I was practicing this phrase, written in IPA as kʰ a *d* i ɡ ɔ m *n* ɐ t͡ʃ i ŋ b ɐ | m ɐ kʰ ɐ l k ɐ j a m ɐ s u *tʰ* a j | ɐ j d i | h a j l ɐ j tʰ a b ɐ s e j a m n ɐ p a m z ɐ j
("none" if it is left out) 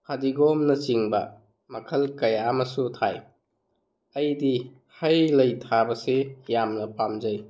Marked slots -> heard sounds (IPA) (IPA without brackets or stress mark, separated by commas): d, n, tʰ